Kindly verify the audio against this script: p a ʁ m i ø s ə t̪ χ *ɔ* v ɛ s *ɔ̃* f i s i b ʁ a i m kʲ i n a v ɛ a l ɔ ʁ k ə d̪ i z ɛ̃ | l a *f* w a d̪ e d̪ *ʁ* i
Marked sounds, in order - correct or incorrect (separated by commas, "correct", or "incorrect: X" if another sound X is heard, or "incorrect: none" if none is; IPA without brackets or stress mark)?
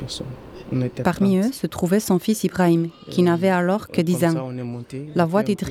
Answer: incorrect: u, correct, incorrect: v, correct